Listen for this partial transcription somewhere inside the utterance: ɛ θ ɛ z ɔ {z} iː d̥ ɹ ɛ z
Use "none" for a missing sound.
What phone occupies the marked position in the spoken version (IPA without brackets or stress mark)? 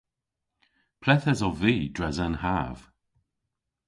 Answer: v